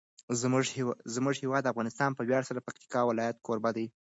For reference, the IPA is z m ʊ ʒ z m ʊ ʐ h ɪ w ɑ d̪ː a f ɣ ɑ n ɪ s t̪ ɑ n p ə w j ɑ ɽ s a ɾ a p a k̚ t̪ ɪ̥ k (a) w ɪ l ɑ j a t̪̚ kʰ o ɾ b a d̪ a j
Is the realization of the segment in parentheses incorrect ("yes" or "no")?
yes